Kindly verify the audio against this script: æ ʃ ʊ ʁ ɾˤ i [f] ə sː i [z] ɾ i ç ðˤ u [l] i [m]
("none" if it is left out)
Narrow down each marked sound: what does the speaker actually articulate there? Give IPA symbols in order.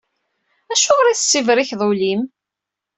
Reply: θ, v, l, m

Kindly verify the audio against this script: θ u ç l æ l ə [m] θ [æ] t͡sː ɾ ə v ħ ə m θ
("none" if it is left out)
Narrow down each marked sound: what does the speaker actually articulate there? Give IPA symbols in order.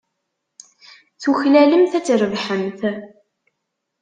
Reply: m, æ

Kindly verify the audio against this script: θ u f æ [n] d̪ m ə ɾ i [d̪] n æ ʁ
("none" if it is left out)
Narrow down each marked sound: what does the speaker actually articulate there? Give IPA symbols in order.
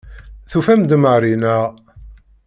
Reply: m, none

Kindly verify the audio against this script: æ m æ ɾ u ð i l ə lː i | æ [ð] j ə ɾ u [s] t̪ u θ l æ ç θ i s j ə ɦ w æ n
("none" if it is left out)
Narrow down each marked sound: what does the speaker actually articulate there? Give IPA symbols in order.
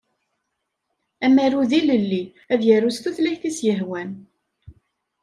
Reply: ð, s

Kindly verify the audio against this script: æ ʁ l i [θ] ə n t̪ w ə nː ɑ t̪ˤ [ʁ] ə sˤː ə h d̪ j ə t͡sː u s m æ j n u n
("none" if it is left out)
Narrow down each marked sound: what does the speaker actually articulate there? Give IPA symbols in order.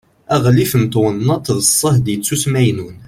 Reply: f, ð

